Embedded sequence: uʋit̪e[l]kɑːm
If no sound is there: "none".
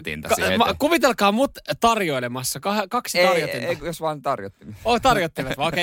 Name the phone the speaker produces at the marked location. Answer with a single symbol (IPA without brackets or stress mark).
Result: l